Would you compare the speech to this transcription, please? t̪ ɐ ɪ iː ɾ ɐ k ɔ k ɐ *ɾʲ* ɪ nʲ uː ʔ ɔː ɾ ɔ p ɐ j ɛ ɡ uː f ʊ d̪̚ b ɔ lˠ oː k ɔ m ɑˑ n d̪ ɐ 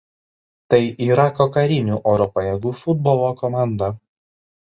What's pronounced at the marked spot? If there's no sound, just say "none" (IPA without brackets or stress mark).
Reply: ɾʲ